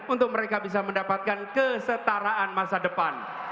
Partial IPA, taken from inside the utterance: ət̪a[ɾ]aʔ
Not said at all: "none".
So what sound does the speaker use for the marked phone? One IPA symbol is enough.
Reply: ɾ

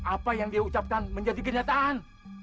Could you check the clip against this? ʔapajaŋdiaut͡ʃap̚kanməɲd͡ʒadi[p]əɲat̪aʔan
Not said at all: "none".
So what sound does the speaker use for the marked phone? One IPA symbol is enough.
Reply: k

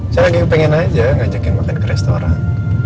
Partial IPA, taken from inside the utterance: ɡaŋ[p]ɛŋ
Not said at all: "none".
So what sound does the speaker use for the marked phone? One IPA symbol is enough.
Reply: p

